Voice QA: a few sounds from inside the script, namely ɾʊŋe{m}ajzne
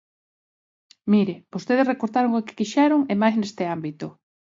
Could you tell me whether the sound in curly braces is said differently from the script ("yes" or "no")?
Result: no